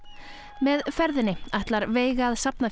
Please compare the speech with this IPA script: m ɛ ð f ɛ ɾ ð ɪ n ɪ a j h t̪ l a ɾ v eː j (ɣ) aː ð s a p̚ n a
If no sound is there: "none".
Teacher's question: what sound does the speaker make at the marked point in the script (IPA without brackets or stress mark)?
ɣ